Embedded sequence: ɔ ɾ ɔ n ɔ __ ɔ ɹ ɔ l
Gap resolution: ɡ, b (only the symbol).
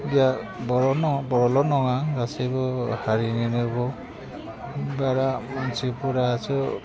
b